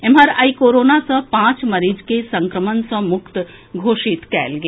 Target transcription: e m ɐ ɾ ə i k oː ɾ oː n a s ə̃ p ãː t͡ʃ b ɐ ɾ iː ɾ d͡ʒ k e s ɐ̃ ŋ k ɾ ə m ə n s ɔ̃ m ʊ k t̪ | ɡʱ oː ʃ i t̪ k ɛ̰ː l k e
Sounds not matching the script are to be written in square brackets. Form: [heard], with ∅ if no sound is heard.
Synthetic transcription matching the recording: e m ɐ ɾ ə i k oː ɾ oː n a s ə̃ p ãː t͡ʃ [m] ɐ ɾ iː [∅] d͡ʒ k e s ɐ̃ ŋ k ɾ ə m ə n s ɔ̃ m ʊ k t̪ | ɡʱ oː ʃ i t̪ k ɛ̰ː l [ɡ] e